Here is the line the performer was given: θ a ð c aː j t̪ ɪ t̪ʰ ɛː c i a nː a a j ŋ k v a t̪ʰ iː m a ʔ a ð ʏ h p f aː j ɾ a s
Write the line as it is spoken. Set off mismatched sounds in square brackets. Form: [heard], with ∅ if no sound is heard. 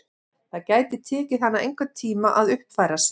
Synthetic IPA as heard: θ a ð c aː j t̪ ɪ t̪ʰ ɛː c [ɪ] a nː a [e] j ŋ k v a t̪ʰ iː m a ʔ a ð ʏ h p f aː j ɾ a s